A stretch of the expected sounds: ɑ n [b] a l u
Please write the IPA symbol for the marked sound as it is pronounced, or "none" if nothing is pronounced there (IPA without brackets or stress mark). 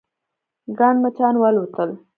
w